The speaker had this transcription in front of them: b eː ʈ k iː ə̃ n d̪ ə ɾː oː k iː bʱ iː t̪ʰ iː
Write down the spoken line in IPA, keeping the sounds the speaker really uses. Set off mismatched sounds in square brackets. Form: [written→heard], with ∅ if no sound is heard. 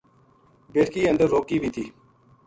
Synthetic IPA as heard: b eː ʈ k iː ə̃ n d̪ ə ɾː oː k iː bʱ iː t̪ʰ iː